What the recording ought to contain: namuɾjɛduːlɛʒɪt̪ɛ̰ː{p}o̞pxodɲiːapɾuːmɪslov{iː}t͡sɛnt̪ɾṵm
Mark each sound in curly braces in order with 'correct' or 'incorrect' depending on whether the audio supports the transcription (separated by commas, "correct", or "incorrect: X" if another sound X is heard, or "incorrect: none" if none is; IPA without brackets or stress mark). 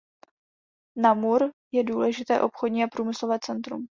incorrect: ʔ, incorrect: ɛː